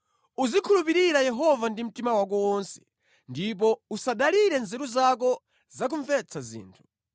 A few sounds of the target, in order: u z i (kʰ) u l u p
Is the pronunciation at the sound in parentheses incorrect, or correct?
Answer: correct